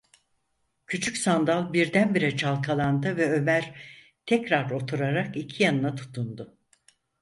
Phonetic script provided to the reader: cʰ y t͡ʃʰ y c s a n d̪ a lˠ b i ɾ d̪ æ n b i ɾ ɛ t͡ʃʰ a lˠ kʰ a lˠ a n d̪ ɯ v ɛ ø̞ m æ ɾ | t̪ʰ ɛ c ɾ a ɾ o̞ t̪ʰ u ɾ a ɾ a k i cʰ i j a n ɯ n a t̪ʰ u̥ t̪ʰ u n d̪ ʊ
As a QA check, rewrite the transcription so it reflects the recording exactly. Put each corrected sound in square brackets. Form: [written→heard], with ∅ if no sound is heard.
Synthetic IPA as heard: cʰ y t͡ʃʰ y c s a n d̪ a lˠ b i ɾ d̪ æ n b i ɾ ɛ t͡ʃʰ a lˠ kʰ a lˠ a n d̪ ɯ v ɛ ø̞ m æ ɾ | t̪ʰ ɛ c ɾ a ɾ o̞ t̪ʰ u ɾ a ɾ a k i cʰ i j a n ɯ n a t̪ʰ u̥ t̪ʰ u n d̪ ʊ